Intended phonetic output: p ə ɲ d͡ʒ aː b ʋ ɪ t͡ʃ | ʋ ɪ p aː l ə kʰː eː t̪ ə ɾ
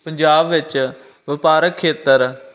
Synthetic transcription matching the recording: p ə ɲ d͡ʒ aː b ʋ ɪ t͡ʃ | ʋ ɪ p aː ɾ ə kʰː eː t̪ ə ɾ